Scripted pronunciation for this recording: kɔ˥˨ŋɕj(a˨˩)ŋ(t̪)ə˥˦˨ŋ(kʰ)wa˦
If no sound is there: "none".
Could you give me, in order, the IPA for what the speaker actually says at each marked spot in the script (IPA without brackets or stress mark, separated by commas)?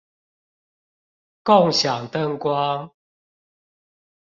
a˨˩, t̪, k